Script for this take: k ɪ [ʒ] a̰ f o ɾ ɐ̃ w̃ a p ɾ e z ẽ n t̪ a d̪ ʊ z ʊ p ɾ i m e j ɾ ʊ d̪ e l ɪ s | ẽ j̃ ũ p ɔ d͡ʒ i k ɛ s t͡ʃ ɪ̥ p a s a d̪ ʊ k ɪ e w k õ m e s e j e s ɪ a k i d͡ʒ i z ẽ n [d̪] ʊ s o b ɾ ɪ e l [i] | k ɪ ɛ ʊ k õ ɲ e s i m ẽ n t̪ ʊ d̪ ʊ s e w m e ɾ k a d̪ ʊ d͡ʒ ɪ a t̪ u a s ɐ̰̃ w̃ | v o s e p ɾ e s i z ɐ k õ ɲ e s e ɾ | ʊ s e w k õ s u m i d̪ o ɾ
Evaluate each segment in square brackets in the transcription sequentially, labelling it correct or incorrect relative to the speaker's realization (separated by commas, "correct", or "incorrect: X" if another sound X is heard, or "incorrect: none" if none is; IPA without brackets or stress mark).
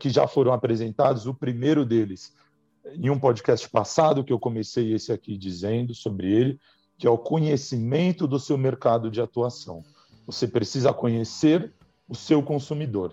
correct, correct, incorrect: ɪ